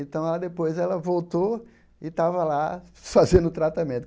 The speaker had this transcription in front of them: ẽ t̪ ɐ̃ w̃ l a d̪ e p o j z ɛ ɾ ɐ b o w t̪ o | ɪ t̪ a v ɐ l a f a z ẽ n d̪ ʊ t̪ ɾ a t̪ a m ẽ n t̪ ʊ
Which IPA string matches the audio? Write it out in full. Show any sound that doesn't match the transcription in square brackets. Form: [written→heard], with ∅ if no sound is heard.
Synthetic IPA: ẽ t̪ ɐ̃ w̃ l a d̪ e p o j z ɛ [ɾ→l] ɐ [b→v] o w t̪ o | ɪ t̪ a v ɐ l a f a z ẽ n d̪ ʊ t̪ ɾ a t̪ a m ẽ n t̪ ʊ